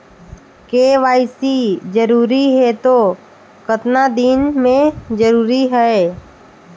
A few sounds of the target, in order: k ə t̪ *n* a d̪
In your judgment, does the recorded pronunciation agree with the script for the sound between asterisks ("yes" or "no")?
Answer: yes